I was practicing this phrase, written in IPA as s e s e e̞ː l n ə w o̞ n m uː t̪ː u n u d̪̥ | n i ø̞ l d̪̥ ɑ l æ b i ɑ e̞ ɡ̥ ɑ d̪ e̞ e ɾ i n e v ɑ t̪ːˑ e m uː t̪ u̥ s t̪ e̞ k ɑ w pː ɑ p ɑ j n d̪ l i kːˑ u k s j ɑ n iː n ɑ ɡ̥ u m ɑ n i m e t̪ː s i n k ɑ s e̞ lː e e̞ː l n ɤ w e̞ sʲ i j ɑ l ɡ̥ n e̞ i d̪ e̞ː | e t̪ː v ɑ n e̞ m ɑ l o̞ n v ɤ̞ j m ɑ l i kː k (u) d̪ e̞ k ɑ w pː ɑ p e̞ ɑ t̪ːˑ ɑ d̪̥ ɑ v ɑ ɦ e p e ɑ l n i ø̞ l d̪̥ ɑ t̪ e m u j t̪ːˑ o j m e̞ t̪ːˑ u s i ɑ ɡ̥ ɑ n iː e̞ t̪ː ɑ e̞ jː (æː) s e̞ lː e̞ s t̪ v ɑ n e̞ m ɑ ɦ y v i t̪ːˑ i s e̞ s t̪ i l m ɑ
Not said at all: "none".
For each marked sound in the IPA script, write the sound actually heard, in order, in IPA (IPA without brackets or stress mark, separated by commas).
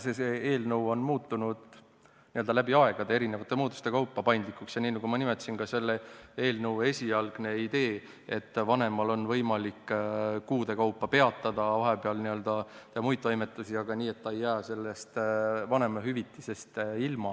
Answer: uː, æː